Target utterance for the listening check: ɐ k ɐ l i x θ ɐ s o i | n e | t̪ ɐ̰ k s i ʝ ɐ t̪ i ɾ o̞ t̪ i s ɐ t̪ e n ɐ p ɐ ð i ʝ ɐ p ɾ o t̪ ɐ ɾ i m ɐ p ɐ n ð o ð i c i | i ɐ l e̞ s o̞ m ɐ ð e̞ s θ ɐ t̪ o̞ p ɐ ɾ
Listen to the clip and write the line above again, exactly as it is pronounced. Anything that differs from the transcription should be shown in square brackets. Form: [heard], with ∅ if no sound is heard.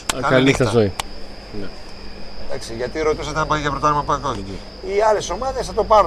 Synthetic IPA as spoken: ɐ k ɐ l i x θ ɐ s o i | n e | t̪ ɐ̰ k s i ʝ ɐ t̪ i ɾ o̞ t̪ i s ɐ t̪ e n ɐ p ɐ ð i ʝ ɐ p ɾ o t̪ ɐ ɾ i m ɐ p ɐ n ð o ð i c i | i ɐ l e̞ s o̞ m ɐ ð e̞ s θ ɐ t̪ o̞ p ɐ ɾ